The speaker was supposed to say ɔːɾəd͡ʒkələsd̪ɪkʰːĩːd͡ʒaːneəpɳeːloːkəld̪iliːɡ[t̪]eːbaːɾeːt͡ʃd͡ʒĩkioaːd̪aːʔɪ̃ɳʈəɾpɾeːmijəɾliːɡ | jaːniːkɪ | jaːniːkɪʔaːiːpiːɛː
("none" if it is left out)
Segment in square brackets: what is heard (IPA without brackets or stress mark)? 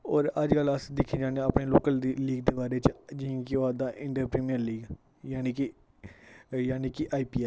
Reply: d̪